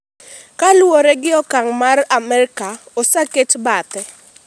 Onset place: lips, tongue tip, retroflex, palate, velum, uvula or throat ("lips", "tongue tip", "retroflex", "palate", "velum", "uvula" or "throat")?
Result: velum